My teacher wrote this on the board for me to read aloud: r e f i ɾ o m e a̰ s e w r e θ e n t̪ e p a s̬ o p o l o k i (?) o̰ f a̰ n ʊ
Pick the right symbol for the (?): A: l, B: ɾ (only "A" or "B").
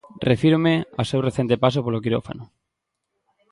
B